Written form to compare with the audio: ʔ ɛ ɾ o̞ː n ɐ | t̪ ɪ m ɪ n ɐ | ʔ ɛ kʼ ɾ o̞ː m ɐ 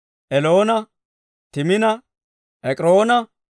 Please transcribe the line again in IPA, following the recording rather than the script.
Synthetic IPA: ʔ ɛ l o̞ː n ɐ | t̪ ɪ m ɪ n ɐ | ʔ ɛ kʼ ɾ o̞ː n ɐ